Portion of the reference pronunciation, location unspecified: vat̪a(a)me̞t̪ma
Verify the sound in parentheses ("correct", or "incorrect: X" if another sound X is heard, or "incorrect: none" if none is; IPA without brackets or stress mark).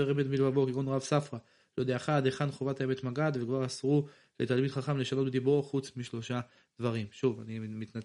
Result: incorrect: e